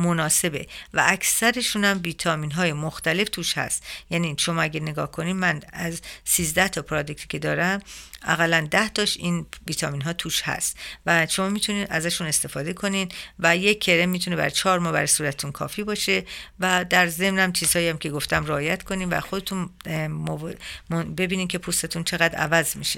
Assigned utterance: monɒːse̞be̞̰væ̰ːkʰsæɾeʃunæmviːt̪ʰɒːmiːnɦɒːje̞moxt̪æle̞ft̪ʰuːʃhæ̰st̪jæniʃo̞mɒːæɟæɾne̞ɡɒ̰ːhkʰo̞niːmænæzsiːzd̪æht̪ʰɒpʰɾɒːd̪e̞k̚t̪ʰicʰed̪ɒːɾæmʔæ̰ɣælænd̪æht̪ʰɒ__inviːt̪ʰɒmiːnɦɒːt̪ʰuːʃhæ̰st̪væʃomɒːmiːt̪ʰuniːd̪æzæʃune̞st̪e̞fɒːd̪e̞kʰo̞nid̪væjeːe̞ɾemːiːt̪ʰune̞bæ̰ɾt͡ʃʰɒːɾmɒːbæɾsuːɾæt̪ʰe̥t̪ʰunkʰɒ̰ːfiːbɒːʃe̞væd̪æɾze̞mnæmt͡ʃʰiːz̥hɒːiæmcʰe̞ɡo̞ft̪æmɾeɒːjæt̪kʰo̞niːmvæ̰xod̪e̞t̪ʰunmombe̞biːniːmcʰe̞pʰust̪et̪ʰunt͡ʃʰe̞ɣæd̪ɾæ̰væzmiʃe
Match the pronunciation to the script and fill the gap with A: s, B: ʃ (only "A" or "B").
B